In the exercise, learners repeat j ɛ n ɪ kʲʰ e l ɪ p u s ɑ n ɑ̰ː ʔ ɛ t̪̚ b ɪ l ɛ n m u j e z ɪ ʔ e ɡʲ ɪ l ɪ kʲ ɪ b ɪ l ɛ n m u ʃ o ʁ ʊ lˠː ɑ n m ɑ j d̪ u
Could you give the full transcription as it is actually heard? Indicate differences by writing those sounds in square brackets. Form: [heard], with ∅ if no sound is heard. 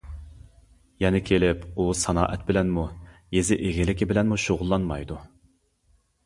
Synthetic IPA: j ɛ n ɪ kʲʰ e l ɪ p u s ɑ n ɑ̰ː ʔ ɛ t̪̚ b ɪ l ɛ n m u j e z ɪ ʔ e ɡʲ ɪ l ɪ kʲ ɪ b ɪ l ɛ n m u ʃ o ʁ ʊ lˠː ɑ n m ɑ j d̪ u